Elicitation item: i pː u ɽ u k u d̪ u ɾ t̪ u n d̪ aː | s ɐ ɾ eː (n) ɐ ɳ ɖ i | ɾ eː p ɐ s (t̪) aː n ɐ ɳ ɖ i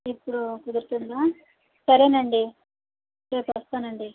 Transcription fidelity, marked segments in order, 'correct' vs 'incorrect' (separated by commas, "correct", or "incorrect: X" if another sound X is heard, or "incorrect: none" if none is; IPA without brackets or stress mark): correct, correct